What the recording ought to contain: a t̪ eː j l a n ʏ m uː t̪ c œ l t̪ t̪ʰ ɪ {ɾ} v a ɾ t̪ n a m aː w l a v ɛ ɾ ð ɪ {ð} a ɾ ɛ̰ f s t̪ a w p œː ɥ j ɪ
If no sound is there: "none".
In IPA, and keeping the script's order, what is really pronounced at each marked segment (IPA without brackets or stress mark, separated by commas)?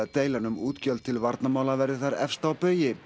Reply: l, θ